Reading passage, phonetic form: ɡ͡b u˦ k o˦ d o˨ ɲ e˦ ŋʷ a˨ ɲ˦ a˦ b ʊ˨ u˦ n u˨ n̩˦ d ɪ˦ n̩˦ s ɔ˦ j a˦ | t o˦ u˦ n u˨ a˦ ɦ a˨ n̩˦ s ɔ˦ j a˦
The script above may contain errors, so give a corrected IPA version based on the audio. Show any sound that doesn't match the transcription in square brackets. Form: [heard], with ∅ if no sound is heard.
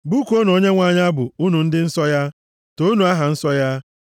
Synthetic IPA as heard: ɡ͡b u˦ k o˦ [n] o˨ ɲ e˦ ŋʷ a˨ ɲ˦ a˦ b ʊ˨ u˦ n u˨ n̩˦ d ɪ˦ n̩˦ s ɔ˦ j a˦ | t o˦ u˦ n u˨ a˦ ɦ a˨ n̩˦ s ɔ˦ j a˦

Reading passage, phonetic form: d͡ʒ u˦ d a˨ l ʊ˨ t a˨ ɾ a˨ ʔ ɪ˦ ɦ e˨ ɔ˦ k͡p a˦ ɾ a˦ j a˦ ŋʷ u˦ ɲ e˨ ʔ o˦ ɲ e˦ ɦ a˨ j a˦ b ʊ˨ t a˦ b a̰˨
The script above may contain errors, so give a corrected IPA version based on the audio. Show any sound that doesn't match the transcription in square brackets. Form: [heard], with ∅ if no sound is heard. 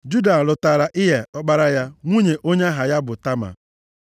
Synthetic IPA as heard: d͡ʒ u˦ d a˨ l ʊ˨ t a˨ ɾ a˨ ʔ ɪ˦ ɦ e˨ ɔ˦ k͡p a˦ ɾ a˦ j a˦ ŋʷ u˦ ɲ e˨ ʔ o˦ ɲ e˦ ɦ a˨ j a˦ b ʊ˨ t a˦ [m] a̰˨

